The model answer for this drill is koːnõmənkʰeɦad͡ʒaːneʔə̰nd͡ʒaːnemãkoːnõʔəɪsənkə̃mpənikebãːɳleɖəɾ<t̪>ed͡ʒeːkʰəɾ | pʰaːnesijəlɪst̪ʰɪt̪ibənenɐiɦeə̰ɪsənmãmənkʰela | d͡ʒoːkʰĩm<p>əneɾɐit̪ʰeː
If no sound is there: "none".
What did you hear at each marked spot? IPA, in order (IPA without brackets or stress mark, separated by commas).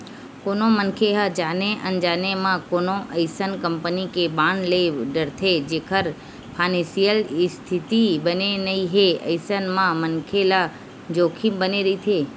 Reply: t̪ʰ, b